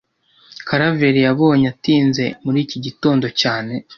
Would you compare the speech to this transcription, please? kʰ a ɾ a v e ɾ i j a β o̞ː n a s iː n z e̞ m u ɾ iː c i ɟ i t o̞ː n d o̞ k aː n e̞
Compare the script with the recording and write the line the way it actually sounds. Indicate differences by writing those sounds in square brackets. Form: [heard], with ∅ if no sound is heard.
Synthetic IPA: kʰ a ɾ a v e ɾ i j a β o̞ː [ɲ] a [t] iː n z e̞ m u ɾ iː c i ɟ i t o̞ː n d o̞ [c] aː n e̞